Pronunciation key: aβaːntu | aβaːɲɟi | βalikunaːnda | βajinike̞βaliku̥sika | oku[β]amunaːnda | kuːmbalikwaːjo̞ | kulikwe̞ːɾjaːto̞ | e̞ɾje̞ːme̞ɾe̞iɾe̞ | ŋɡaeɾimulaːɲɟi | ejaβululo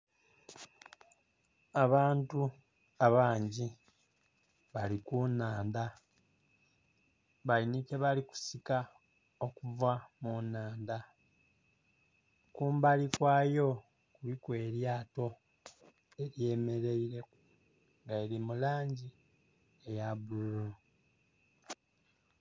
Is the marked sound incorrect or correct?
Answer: incorrect